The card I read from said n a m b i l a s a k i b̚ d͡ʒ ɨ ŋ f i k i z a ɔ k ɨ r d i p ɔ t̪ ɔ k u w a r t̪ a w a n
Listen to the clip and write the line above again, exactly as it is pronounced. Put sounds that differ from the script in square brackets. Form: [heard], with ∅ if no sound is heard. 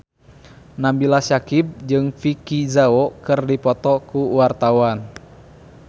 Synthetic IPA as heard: n a m b i l a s a k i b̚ d͡ʒ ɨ ŋ f i k i z a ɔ k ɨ r d i p ɔ t̪ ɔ k u w a r t̪ a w a n